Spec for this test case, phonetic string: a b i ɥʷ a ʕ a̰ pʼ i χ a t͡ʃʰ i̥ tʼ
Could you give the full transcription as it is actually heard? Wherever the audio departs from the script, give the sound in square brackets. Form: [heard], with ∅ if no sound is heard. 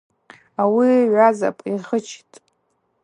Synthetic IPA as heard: a [w] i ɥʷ a [z] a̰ pʼ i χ [ə] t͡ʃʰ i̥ tʼ